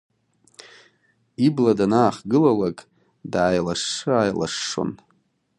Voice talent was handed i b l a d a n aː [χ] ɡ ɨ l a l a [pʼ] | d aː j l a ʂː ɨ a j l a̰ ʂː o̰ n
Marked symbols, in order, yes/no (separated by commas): yes, no